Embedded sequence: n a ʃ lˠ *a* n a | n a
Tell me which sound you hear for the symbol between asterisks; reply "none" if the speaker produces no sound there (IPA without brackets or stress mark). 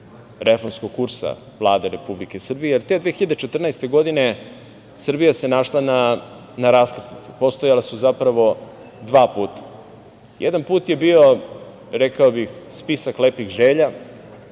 a